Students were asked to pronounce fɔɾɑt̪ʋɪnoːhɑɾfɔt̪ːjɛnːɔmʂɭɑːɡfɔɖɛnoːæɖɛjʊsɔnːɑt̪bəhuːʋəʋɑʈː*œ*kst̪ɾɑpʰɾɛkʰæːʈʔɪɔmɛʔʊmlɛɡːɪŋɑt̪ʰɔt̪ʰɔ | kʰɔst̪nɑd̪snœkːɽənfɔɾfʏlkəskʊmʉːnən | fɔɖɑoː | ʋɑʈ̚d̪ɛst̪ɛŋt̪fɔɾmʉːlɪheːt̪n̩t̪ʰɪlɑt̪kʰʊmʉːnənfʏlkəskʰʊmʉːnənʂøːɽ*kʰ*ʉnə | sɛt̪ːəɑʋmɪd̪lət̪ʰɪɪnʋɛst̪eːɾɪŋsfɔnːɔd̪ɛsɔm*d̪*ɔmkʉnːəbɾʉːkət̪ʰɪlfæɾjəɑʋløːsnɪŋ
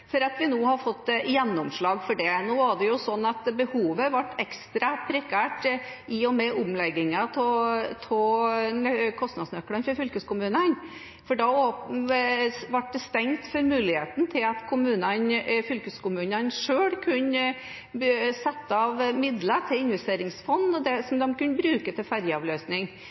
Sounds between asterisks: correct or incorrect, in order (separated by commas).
incorrect, correct, correct